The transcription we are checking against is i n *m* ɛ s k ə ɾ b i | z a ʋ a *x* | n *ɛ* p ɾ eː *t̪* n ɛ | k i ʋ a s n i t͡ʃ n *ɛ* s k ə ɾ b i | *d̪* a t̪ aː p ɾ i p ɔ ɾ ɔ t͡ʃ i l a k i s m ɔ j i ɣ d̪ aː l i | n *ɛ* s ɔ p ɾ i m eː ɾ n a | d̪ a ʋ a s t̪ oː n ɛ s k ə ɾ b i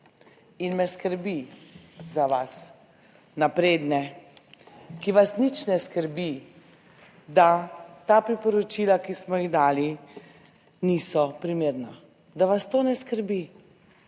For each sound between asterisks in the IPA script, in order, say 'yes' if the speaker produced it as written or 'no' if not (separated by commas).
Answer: yes, no, no, no, yes, yes, no